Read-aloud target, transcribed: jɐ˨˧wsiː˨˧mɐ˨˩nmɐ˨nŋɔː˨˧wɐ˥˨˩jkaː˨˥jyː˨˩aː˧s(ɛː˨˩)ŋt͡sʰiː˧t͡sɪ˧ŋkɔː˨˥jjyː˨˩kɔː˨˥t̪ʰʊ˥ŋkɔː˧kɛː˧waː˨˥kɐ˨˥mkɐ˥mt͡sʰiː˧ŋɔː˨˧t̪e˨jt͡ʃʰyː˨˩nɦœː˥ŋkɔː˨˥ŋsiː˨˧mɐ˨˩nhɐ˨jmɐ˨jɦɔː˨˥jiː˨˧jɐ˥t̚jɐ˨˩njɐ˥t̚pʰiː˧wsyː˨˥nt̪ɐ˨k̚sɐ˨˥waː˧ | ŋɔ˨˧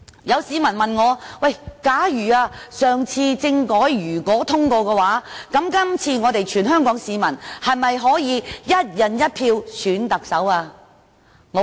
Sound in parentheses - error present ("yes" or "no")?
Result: yes